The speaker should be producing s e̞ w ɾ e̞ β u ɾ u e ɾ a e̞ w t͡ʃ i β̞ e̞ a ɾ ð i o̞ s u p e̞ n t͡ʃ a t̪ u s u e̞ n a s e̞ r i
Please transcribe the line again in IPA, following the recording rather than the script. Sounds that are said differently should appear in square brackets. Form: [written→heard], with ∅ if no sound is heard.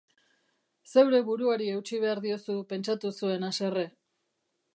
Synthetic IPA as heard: s e̞ w ɾ e̞ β u ɾ u [e→a] ɾ [a→i] e̞ w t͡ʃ i β̞ e̞ a ɾ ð i o̞ s u p e̞ n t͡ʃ a t̪ u s u e̞ n a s e̞ r [i→e]